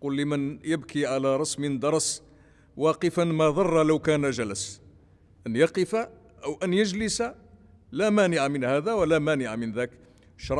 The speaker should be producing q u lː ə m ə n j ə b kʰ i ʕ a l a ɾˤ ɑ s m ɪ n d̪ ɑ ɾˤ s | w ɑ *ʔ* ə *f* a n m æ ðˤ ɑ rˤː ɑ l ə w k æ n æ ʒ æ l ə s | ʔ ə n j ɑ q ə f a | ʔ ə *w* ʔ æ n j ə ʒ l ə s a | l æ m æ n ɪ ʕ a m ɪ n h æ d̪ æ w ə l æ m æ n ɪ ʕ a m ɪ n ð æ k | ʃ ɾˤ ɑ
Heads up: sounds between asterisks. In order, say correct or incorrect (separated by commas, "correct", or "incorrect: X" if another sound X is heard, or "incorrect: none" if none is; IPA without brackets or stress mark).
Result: incorrect: q, correct, correct